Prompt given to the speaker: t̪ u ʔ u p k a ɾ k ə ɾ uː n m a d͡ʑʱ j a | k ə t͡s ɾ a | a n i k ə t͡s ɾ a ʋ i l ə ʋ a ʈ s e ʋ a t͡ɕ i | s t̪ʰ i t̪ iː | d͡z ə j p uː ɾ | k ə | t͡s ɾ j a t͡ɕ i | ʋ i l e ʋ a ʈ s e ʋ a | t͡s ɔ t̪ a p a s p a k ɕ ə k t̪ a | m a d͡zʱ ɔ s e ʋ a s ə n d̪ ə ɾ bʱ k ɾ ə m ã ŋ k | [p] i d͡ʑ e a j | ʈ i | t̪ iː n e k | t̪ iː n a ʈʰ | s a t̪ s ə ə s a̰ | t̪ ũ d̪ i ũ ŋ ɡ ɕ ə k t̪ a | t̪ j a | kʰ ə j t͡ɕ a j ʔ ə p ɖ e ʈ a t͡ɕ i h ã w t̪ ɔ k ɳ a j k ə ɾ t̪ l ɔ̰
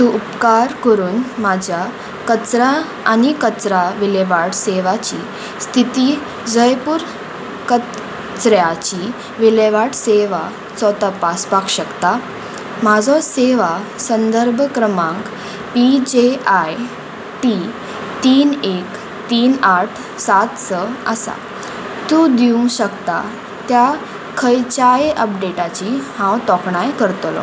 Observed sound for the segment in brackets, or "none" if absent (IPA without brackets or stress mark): p